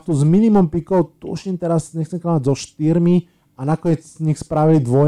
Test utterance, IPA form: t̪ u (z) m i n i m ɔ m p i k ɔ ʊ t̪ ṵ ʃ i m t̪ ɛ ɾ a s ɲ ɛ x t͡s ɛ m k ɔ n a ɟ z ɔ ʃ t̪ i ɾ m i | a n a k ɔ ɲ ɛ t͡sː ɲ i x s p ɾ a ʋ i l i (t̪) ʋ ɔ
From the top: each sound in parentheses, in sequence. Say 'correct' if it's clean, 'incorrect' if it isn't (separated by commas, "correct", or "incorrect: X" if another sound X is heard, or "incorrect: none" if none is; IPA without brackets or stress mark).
correct, incorrect: d̪